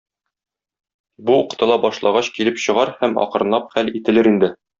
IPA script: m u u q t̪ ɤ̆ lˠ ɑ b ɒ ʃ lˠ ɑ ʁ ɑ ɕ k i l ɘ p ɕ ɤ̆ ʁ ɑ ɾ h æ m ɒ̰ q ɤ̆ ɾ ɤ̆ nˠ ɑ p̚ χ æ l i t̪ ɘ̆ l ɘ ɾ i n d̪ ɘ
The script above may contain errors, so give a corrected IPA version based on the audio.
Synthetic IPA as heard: b u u q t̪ ɤ̆ lˠ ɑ b ɒ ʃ lˠ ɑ ʁ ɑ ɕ k i l ɘ p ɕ ɤ̆ ʁ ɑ ɾ h æ m ɒ̰ q ɤ̆ ɾ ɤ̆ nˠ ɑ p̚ χ æ l i t̪ ɘ̆ l ɘ ɾ i n d̪ ɘ